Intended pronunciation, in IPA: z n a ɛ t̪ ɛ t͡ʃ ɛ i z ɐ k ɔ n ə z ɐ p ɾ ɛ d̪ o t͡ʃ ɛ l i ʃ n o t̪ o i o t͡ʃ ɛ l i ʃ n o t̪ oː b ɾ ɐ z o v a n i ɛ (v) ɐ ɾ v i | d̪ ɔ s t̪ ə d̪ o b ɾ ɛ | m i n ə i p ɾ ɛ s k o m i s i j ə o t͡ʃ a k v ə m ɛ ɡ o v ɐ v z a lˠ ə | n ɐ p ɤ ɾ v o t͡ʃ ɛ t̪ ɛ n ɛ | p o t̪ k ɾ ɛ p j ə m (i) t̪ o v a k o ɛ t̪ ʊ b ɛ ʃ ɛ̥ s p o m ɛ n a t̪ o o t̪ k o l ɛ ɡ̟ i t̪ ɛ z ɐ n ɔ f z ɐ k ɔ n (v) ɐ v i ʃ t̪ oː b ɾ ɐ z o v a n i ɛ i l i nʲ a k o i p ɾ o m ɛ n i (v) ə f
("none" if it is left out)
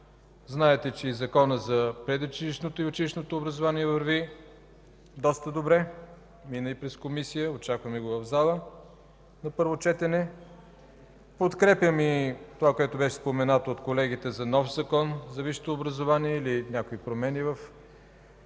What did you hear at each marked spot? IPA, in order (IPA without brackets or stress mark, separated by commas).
v, i, z, v